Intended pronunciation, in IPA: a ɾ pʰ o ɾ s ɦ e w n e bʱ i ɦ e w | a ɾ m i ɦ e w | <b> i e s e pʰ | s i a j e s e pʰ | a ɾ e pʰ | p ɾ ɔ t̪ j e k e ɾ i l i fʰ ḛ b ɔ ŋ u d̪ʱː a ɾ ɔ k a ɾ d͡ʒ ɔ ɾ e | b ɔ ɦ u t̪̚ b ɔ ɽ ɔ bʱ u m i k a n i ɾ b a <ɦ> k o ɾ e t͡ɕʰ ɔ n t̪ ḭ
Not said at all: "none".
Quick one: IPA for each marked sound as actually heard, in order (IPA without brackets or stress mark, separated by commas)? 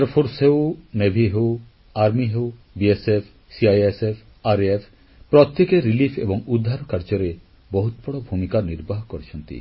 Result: b, ɦ